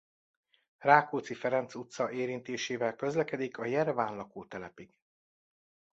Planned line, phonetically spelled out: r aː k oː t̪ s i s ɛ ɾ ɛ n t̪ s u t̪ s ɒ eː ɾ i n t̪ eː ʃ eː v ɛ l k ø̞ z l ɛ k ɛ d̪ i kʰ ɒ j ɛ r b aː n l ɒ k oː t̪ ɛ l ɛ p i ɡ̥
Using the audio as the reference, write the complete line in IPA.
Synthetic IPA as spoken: r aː k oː t̪ s i f ɛ ɾ ɛ n t̪ s u t̪ s ɒ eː ɾ i n t̪ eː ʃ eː v ɛ l k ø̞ z l ɛ k ɛ d̪ i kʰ ɒ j ɛ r v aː n l ɒ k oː t̪ ɛ l ɛ p i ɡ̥